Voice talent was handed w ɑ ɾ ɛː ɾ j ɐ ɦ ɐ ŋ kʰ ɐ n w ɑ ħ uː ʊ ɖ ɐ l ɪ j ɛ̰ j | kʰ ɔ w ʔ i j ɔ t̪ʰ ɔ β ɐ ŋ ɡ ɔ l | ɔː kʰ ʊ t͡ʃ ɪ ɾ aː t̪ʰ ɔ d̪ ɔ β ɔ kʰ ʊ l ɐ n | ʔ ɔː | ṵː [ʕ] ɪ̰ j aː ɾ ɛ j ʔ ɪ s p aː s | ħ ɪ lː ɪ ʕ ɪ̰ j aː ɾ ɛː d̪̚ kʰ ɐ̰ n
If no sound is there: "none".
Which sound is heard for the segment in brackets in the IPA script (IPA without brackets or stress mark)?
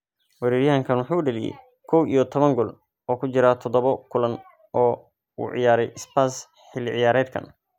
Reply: ʕ